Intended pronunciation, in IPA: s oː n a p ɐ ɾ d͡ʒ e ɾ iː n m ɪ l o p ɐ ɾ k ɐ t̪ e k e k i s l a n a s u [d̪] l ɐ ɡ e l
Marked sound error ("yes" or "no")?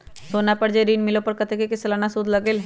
no